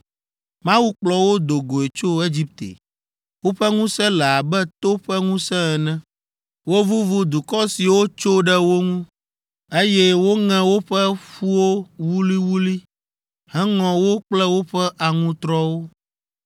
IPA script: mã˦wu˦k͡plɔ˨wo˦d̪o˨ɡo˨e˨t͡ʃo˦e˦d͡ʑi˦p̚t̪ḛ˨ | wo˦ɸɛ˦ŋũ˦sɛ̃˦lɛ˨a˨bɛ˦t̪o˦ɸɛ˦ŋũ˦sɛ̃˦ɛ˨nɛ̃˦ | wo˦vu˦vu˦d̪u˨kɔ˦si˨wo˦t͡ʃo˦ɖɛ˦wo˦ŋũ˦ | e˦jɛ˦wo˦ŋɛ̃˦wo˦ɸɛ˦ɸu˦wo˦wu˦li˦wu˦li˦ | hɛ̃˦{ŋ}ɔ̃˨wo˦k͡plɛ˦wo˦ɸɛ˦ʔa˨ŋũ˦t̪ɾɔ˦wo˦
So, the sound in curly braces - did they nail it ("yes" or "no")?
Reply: yes